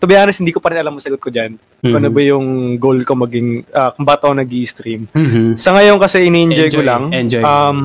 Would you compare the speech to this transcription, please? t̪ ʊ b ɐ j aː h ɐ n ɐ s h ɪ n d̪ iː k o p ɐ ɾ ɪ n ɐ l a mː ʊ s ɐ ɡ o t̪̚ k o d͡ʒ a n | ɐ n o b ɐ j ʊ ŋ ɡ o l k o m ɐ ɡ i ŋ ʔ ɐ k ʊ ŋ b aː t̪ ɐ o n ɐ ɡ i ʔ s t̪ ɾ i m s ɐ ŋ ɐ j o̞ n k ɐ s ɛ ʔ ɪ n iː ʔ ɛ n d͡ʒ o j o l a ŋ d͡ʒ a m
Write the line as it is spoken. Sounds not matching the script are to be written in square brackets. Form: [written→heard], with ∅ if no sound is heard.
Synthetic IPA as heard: t̪ ʊ b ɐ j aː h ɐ n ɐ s h ɪ n d̪ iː k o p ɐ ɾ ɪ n ɐ l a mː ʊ s ɐ ɡ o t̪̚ k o d͡ʒ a n | ɐ n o b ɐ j ʊ ŋ ɡ o l k o m ɐ ɡ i ŋ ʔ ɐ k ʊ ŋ b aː t̪ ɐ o n ɐ ɡ i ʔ s t̪ ɾ i m s ɐ ŋ ɐ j o̞ n k ɐ s ɛ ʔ ɪ n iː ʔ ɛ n d͡ʒ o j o l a ŋ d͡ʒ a m